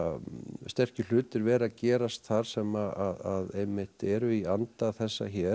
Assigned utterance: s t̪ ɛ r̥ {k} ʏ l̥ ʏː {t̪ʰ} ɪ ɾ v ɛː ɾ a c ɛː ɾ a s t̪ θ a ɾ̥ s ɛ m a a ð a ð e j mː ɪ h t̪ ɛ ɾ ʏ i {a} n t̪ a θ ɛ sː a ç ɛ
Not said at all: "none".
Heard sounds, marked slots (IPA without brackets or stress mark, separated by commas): c, t̪, a